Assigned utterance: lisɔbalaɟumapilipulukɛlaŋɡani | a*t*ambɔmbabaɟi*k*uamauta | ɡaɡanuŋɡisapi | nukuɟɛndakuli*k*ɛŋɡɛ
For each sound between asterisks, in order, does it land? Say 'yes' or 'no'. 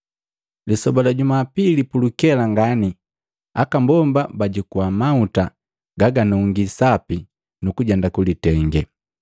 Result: no, yes, no

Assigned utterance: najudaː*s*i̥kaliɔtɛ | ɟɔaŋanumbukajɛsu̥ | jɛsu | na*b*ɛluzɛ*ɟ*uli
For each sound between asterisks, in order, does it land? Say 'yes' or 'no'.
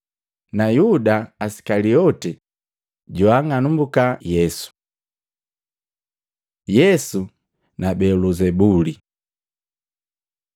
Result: yes, yes, no

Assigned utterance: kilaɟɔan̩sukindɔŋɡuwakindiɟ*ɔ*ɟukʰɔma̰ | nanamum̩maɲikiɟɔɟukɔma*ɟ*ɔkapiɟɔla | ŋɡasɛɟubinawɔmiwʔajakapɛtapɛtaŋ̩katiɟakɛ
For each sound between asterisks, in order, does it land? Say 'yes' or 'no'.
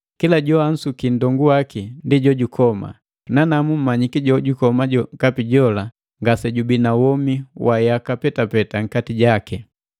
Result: yes, yes

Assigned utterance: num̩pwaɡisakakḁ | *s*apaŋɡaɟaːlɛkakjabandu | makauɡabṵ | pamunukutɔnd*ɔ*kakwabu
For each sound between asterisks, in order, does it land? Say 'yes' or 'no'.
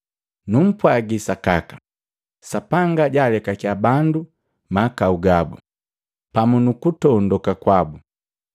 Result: yes, yes

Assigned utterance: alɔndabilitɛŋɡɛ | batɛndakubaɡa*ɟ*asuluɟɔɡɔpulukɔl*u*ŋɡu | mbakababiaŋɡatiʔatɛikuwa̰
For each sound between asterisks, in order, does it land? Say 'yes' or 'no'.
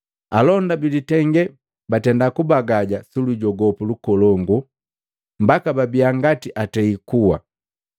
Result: yes, no

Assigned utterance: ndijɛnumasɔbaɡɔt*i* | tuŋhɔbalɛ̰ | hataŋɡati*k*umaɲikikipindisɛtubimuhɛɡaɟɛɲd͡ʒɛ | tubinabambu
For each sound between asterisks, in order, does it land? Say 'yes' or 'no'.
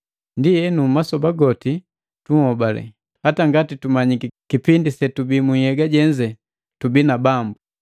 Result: yes, no

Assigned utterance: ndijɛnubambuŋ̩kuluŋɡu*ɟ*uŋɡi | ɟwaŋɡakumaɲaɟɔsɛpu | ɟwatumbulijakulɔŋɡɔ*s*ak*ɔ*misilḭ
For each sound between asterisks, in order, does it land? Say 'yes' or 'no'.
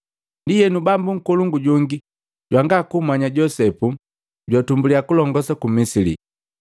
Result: yes, yes, no

